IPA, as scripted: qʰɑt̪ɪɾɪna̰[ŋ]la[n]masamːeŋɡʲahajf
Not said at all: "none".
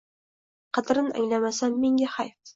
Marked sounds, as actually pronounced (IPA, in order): ŋ, none

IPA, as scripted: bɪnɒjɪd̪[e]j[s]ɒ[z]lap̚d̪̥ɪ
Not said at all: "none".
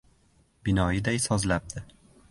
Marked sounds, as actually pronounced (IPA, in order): a, s, z

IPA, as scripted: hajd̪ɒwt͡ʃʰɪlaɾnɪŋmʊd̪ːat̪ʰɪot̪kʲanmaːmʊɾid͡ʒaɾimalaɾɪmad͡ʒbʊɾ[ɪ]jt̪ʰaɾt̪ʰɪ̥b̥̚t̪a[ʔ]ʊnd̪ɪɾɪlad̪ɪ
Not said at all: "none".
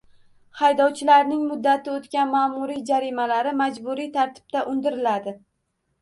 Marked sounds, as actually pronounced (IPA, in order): i, ʔ

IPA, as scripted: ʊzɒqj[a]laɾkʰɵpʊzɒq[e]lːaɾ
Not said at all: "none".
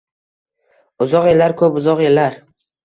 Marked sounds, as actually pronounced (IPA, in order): e, e

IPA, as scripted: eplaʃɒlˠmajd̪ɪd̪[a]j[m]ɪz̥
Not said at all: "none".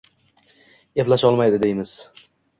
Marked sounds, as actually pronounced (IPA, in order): e, m

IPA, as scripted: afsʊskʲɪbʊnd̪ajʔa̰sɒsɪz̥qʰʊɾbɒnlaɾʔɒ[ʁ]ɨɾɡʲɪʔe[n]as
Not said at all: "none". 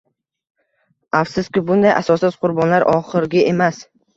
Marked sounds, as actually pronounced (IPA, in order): χ, m

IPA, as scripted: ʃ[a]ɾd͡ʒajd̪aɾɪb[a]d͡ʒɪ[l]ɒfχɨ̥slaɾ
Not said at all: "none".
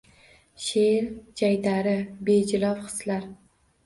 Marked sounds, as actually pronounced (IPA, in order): e, e, l

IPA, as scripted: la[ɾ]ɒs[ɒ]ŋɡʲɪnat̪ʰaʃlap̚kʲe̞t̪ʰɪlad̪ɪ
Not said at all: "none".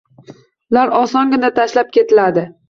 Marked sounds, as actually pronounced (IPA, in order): ɾ, ɒ

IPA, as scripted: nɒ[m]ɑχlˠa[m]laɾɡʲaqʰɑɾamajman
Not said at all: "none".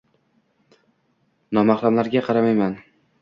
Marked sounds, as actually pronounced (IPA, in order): m, m

